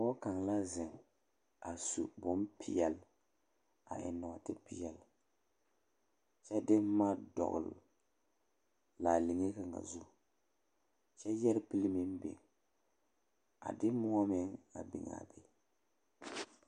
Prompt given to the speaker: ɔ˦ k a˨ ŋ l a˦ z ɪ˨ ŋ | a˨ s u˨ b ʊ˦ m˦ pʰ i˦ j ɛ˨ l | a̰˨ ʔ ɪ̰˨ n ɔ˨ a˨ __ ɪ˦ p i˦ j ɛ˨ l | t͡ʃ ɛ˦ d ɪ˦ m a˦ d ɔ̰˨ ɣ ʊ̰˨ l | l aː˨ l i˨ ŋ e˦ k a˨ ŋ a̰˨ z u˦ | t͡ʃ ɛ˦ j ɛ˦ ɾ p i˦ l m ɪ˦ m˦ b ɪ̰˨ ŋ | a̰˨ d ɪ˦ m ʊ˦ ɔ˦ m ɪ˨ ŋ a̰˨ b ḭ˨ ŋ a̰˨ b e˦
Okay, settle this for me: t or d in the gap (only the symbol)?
t